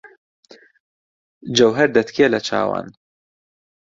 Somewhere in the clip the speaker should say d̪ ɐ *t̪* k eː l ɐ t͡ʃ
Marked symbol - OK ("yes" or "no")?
yes